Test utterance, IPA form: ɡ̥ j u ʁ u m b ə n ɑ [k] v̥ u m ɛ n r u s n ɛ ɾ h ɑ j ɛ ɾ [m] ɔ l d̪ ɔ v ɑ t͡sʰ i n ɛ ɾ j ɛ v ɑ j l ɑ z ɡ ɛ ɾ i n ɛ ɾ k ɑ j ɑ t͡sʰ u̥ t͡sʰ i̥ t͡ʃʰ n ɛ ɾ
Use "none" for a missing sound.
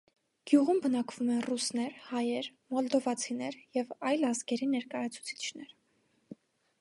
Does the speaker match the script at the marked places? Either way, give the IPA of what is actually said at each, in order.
k, m

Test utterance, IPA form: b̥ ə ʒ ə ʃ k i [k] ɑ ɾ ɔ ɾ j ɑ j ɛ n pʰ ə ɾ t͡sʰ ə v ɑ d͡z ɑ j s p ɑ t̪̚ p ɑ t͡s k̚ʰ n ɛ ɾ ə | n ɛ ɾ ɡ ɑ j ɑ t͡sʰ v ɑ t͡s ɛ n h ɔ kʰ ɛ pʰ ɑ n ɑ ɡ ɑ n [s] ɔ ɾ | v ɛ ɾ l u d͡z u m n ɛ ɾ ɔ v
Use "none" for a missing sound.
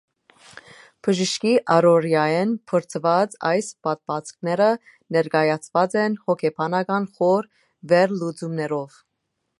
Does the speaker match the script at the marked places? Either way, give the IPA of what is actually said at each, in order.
ʔ, χ

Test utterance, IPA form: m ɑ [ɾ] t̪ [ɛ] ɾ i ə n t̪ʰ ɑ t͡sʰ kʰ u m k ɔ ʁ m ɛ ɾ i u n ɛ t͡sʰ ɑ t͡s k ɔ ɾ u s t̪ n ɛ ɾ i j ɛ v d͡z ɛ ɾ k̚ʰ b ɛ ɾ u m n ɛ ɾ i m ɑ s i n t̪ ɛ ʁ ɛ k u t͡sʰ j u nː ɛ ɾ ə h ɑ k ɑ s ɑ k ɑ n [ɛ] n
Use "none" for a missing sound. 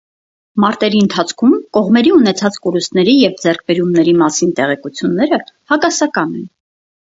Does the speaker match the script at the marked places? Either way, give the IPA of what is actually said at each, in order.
ɾ, ɛ, ɛ

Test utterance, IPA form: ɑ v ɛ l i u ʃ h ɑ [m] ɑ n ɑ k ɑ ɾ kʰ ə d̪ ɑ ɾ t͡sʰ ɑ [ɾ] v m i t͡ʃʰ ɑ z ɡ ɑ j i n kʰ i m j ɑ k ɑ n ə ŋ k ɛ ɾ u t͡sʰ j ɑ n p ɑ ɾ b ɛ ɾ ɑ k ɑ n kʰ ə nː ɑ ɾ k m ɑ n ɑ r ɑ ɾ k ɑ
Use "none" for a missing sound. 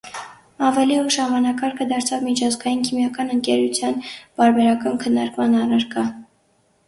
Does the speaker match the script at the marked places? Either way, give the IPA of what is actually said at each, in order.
m, none

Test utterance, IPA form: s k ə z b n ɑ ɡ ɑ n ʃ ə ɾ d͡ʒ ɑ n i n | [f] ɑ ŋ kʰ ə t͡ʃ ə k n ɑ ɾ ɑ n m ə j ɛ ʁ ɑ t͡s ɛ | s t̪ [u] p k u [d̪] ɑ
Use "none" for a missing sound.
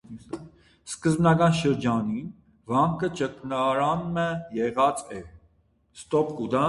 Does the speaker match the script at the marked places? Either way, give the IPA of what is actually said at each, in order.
v, ɔ, d̪

